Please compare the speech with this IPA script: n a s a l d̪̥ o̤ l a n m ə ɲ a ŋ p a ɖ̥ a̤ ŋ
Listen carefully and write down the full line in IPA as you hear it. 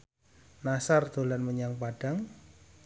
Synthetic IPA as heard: n a s a r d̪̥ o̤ l a n m ə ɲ a ŋ p a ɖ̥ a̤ ŋ